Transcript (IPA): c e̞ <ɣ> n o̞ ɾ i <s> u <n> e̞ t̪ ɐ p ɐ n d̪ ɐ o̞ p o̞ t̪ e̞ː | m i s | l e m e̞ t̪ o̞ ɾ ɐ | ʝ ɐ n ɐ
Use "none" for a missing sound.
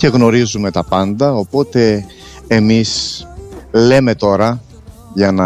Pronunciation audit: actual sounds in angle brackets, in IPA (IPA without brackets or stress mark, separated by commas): ɣ, z, m